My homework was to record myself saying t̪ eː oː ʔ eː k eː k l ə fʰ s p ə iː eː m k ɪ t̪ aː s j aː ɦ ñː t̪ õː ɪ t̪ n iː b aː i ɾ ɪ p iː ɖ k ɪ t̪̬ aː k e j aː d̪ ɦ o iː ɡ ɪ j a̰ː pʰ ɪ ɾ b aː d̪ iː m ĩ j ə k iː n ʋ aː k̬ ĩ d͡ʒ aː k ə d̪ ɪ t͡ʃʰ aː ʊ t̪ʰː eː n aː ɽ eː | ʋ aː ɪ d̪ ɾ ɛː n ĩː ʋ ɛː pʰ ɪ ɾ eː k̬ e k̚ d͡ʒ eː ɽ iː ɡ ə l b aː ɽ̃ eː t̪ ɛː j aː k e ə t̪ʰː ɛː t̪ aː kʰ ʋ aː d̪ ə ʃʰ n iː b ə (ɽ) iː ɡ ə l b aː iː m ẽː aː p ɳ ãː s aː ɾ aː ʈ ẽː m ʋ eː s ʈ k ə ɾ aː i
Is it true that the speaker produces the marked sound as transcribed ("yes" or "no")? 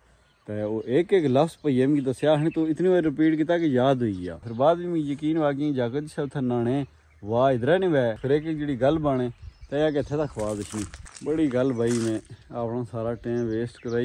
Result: yes